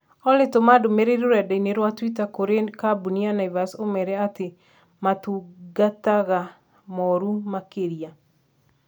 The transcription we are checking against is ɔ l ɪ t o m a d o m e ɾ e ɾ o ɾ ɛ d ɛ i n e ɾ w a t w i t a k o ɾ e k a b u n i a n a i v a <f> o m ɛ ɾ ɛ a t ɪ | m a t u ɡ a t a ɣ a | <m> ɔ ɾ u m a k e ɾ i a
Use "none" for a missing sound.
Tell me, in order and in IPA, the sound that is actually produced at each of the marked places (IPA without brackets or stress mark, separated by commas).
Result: s, m